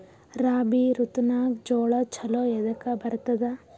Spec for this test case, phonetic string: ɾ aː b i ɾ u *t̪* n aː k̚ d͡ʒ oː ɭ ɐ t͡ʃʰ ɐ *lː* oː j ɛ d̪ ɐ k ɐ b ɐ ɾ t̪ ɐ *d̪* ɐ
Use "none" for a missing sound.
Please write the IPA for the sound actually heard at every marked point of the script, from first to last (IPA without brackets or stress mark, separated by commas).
t̪, l, d̪